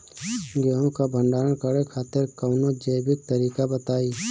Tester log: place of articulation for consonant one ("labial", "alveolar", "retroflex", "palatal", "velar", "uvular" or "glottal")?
velar